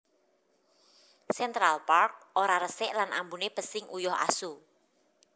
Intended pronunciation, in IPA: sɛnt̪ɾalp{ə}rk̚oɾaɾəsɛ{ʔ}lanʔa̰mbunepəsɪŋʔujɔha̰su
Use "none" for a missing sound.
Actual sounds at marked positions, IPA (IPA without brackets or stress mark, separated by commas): a, ʔ